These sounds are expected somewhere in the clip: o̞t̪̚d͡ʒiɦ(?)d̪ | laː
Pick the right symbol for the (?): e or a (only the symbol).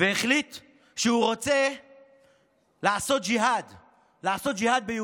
a